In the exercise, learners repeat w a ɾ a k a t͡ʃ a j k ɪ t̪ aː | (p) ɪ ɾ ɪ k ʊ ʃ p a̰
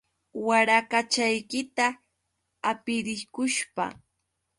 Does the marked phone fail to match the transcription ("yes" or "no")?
no